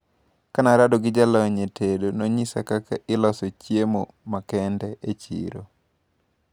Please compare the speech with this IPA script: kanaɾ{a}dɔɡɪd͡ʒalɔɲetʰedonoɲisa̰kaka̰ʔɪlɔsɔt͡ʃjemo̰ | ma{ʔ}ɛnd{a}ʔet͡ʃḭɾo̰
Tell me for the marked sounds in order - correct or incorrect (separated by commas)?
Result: correct, incorrect, incorrect